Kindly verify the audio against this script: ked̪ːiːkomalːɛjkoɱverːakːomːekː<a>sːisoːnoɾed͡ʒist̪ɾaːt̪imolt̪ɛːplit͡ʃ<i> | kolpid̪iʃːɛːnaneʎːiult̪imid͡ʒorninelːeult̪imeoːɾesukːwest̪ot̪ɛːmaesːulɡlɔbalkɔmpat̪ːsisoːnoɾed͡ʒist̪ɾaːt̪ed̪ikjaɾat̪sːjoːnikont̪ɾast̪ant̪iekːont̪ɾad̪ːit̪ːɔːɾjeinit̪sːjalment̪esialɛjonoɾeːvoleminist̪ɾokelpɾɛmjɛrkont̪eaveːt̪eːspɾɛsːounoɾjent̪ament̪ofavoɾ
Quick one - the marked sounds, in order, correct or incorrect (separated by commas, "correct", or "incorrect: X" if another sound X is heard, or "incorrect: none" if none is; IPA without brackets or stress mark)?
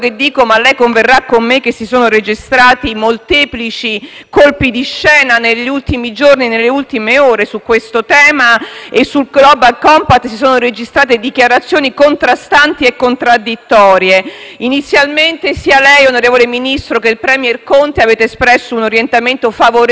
incorrect: e, correct